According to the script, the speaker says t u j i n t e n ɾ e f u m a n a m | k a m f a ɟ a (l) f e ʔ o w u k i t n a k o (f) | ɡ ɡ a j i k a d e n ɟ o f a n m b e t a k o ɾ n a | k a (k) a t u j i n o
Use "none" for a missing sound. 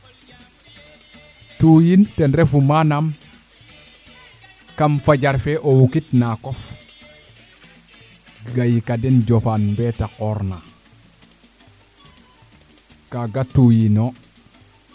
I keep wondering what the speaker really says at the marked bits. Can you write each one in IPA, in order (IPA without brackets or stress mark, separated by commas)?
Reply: ɾ, f, ɡ